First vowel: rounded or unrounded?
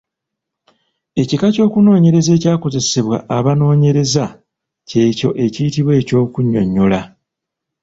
unrounded